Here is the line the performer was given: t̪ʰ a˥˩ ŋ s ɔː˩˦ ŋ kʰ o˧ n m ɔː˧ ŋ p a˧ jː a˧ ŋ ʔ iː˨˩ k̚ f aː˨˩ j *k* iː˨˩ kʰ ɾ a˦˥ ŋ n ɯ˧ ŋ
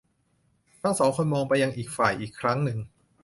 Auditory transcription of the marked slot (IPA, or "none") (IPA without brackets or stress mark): ʔ